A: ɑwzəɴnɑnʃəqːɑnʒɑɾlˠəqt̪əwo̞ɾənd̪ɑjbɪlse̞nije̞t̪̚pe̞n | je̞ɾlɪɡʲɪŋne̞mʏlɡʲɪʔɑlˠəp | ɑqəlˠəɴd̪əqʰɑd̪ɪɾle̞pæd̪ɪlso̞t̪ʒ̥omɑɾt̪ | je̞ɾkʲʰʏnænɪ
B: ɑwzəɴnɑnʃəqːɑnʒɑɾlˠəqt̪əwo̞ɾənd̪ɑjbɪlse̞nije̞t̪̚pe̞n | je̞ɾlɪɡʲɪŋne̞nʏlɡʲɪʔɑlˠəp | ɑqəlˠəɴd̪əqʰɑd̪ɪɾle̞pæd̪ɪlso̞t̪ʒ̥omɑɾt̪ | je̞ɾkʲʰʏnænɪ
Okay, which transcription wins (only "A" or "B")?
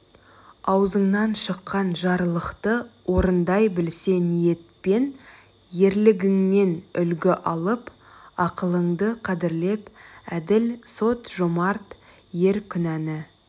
B